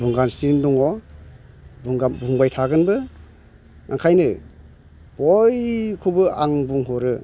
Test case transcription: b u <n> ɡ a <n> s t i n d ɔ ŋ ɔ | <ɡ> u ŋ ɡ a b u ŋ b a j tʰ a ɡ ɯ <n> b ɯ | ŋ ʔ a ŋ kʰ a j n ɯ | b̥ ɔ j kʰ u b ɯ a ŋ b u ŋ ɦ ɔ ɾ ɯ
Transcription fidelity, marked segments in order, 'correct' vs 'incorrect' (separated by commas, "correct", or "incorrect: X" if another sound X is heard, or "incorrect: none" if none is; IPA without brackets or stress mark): incorrect: ŋ, correct, incorrect: b, correct